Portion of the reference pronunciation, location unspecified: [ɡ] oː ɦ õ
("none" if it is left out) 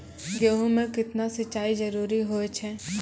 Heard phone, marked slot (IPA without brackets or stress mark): ɡ